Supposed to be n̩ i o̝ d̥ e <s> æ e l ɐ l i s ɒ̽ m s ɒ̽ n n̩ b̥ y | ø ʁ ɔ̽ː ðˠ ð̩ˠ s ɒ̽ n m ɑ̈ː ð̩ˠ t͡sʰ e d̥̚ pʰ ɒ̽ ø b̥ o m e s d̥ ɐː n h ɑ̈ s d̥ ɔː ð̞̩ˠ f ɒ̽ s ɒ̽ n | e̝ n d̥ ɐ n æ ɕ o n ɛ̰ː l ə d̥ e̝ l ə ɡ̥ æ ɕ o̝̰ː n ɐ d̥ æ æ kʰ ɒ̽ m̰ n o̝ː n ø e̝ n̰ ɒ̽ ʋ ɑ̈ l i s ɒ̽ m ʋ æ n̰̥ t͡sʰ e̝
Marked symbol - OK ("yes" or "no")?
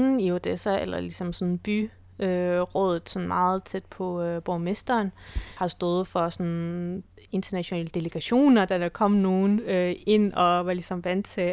yes